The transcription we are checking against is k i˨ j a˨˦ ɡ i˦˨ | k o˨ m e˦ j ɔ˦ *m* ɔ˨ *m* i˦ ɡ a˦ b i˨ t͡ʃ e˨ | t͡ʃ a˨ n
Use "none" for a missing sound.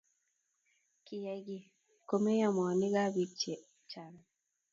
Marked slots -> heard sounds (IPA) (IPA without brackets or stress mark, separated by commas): m, n